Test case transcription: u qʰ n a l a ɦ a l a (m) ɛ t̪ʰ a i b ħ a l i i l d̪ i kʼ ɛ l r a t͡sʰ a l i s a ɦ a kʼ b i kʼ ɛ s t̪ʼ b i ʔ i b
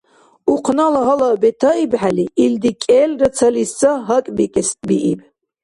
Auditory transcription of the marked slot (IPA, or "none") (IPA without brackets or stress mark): b